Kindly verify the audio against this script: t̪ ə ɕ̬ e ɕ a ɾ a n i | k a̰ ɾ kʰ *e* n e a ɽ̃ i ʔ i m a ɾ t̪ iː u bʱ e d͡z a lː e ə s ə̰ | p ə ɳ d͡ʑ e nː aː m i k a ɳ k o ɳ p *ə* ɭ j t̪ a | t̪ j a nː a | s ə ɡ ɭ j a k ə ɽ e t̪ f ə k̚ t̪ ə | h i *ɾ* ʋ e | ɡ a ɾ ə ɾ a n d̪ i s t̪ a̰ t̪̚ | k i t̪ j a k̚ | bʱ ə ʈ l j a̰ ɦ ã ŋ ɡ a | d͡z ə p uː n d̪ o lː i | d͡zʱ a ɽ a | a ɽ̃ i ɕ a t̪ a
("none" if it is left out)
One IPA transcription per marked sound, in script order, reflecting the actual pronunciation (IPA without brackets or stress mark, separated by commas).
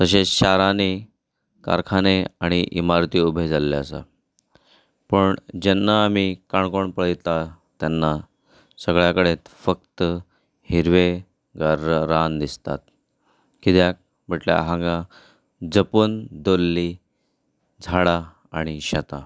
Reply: a, ə, ɾ